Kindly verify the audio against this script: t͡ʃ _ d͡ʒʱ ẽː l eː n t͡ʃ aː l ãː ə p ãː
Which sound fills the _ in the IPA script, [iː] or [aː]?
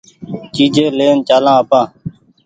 iː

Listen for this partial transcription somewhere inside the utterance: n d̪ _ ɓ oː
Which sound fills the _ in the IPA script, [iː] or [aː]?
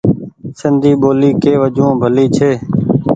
iː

